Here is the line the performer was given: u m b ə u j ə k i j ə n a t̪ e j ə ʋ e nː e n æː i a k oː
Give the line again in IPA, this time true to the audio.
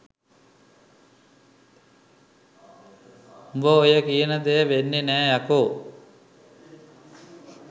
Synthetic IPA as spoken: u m b ə o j ə k i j ə n ə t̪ e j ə ʋ e nː e n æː j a k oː